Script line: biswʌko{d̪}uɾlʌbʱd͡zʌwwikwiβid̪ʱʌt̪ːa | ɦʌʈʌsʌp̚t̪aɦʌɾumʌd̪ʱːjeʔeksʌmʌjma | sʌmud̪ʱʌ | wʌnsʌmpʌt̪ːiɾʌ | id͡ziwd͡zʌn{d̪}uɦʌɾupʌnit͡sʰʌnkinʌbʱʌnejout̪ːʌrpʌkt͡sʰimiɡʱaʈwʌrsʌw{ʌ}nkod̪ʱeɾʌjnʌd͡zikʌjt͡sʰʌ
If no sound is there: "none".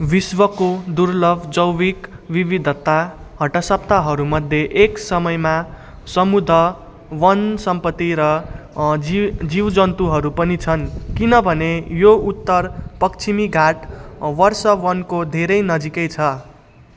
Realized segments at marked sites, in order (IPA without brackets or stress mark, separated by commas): d̪, t̪, ʌ